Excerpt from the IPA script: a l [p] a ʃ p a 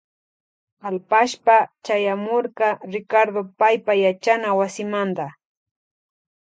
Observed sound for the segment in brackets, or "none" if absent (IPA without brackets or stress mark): p